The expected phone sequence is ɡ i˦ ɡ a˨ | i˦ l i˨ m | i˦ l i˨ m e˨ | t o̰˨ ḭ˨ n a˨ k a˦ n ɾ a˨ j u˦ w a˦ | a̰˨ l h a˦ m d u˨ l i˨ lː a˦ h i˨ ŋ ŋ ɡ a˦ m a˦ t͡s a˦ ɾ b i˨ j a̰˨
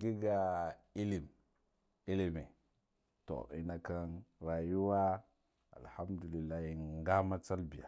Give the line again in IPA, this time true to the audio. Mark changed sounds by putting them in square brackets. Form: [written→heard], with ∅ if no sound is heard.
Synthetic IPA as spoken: ɡ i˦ ɡ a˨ | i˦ l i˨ m | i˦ l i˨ m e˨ | t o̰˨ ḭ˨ n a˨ k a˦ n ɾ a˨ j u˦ w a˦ | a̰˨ l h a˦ m d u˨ l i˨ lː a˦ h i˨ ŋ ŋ ɡ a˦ m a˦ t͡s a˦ [ɾ→l] b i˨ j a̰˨